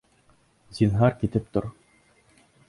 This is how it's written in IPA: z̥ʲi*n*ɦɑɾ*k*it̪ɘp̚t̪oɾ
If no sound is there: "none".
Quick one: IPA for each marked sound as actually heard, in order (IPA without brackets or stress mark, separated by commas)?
n, k